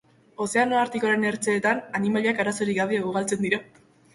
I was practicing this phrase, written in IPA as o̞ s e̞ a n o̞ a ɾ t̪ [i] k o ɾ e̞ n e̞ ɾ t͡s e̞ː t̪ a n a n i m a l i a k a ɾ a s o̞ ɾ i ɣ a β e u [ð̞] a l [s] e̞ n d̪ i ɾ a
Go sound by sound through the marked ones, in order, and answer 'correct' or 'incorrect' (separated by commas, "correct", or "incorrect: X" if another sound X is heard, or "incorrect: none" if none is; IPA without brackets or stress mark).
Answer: correct, incorrect: ɣ̞, incorrect: t͡s